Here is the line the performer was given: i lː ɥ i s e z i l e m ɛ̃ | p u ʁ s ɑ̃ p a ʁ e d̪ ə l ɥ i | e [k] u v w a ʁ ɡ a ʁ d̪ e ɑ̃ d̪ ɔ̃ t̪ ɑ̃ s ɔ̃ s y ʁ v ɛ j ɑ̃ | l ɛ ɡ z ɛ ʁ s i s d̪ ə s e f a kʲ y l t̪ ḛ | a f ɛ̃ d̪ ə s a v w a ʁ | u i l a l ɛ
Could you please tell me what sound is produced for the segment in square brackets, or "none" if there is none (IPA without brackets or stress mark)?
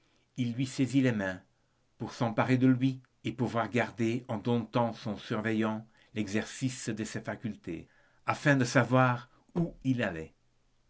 p